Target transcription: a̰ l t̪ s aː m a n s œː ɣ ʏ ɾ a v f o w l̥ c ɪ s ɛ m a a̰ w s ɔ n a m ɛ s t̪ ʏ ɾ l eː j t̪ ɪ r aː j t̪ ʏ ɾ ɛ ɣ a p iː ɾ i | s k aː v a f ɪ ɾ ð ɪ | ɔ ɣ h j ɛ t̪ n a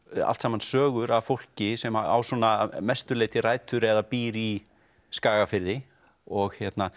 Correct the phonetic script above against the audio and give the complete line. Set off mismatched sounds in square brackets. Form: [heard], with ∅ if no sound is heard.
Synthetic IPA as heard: a̰ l t̪ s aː m a n s œː ɣ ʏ ɾ a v f o w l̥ c ɪ s ɛ m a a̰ w s ɔ n a m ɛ s t̪ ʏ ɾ l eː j t̪ ɪ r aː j t̪ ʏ ɾ ɛ [ð] a p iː ɾ i | s k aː [ɣ] a f ɪ ɾ ð ɪ | ɔ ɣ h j ɛ t̪ n a